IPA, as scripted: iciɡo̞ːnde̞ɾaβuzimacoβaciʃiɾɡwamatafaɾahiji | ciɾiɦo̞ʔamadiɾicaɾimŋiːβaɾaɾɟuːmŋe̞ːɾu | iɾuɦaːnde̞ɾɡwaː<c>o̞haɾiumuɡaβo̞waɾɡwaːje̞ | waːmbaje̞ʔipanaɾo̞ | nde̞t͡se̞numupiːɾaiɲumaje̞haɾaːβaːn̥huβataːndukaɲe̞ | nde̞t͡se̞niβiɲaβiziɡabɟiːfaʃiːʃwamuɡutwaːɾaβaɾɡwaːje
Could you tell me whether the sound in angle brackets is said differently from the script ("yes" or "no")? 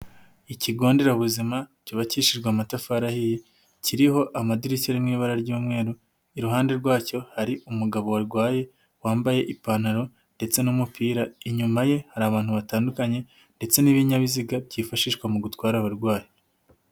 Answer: no